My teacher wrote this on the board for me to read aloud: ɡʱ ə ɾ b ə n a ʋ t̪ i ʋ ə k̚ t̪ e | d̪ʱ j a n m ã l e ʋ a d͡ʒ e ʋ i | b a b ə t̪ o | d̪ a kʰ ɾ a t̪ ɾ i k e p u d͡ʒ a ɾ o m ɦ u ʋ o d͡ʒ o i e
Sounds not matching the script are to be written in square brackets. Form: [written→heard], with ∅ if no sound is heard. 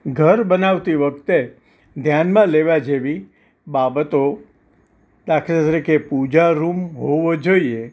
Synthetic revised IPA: ɡʱ ə ɾ b ə n a ʋ t̪ i ʋ ə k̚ t̪ e | d̪ʱ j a n m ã l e ʋ a d͡ʒ e ʋ i | b a b ə t̪ o | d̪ a kʰ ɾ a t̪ ɾ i k e p u d͡ʒ a ɾ [o→u] m ɦ [u→o] ʋ o d͡ʒ o i e